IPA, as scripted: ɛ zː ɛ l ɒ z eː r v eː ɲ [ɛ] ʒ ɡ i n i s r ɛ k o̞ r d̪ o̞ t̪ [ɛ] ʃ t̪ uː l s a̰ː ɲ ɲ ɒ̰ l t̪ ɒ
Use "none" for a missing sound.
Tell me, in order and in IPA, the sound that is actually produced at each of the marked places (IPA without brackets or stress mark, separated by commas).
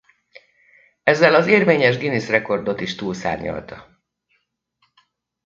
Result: ɛ, i